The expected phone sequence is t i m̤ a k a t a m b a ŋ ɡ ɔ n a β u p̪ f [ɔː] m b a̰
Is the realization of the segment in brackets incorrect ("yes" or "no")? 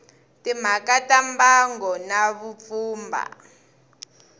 yes